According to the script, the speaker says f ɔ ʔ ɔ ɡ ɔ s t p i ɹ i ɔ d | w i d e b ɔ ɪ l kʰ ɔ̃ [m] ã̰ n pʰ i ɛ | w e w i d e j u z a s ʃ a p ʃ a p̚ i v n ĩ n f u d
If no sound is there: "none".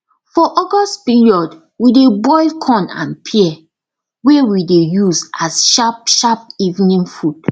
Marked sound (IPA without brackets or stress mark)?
n